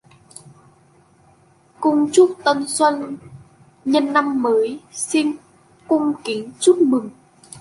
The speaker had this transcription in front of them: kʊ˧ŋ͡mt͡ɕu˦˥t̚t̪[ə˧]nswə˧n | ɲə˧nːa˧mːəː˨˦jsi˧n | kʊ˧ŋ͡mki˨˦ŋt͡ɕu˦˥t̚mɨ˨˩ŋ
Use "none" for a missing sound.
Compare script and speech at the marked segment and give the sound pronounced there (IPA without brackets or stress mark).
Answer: ə˧